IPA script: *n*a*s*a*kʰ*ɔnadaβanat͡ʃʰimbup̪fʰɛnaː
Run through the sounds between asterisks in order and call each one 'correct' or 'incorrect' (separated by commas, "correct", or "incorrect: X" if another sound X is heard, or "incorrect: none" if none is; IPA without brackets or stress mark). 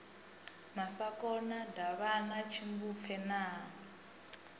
incorrect: m, correct, incorrect: k